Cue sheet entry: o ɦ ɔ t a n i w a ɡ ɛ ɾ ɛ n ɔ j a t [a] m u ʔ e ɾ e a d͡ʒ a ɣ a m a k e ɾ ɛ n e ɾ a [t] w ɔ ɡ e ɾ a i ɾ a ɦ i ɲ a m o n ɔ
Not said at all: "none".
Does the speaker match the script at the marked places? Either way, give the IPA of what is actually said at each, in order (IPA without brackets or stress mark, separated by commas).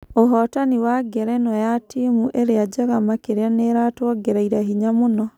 i, t